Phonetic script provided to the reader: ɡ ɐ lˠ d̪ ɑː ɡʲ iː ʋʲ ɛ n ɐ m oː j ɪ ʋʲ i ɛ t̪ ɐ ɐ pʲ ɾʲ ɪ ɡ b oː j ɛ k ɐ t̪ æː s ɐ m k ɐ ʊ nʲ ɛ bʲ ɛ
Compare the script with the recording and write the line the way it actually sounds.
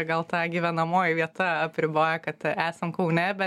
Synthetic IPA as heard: ɡ ɐ lˠ t̪ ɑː ɡʲ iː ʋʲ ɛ n ɐ m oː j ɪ ʋʲ i ɛ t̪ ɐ ɐ pʲ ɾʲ ɪ b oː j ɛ k ɐ t̪ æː s ɐ m k ɐ ʊ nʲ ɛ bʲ ɛ